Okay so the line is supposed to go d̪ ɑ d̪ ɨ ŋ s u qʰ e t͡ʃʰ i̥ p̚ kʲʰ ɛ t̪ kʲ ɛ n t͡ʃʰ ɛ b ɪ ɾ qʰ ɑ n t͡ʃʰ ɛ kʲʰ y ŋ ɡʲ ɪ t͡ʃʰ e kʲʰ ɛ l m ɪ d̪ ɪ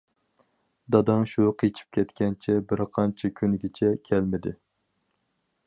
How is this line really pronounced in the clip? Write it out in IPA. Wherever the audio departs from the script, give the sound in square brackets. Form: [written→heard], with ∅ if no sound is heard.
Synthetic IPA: d̪ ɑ d̪ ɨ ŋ [s→ʃ] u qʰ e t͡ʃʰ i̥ p̚ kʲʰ ɛ t̪ kʲ ɛ n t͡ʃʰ ɛ b ɪ ɾ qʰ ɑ n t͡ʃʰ ɛ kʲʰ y [ŋ→n] ɡʲ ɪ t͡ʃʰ [e→ɛ] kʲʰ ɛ l m ɪ d̪ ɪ